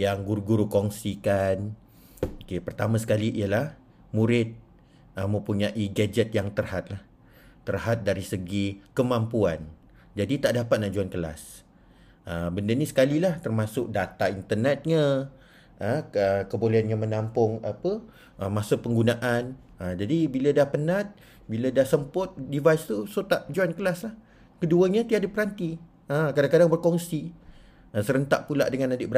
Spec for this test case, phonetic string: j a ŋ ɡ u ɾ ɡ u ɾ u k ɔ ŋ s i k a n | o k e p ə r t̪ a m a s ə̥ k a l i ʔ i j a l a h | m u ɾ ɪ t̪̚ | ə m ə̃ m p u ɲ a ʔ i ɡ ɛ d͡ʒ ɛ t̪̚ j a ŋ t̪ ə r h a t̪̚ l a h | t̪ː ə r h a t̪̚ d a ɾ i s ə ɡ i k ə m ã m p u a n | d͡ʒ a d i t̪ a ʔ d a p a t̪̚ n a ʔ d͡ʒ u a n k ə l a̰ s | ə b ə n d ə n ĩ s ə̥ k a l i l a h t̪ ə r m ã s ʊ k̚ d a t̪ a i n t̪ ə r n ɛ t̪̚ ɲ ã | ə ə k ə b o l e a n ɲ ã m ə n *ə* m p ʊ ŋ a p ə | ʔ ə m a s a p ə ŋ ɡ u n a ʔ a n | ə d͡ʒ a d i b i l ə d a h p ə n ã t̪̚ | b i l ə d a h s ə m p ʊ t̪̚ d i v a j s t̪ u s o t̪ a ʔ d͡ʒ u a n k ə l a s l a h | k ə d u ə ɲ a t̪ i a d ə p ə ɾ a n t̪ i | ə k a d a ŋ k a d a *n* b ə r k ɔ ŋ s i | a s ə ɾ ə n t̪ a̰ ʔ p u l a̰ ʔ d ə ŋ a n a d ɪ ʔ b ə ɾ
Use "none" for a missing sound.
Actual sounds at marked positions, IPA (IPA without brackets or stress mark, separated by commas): a, ŋ